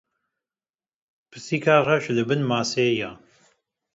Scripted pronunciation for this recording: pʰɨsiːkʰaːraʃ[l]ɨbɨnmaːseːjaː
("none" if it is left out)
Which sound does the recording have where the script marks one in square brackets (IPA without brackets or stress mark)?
l